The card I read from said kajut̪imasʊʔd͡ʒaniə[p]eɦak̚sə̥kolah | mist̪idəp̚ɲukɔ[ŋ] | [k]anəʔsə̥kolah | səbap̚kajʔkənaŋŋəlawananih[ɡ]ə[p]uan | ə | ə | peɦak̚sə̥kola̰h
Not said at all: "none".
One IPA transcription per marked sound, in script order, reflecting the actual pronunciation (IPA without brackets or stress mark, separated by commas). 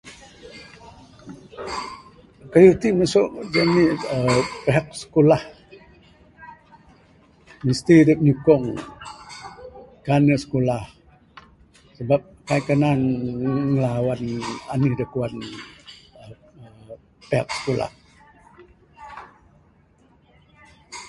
p, ŋ, k, d, k